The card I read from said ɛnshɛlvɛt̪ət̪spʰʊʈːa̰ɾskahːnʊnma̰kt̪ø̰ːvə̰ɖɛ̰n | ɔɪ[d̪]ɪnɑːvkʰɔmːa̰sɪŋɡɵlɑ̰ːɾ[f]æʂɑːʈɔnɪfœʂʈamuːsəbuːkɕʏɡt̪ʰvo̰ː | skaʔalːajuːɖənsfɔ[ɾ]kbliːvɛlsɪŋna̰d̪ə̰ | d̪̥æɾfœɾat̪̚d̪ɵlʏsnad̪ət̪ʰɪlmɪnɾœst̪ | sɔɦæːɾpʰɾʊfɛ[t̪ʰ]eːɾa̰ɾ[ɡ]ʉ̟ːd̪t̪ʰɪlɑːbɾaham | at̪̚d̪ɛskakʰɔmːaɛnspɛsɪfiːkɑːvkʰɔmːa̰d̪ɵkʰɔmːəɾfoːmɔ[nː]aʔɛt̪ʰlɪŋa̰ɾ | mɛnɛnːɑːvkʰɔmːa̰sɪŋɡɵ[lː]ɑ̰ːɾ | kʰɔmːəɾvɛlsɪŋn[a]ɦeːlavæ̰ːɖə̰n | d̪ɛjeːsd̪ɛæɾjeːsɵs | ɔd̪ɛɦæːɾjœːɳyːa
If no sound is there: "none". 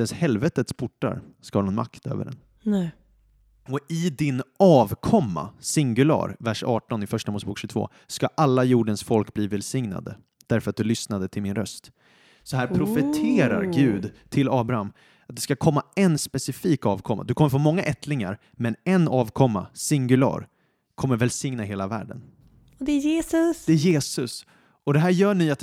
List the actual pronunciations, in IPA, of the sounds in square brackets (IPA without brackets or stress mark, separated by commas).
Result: d̪, v, l, t̪ʰ, ɡ, ŋː, l, a